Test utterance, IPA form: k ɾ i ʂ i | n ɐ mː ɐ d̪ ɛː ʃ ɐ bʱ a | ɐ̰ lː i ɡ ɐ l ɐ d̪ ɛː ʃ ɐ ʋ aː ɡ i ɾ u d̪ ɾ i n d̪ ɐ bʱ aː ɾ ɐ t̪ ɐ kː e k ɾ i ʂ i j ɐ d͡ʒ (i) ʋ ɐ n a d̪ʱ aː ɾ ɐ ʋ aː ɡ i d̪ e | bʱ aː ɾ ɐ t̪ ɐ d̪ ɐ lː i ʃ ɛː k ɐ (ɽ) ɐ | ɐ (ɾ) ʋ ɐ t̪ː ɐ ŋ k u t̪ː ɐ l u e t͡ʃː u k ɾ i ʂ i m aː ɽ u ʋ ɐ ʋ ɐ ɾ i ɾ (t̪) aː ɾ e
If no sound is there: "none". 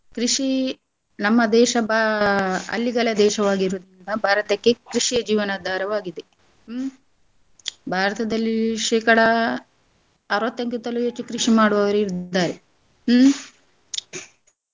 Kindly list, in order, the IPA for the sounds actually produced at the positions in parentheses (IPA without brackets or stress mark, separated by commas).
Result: iː, ɽ, ɾ, d̪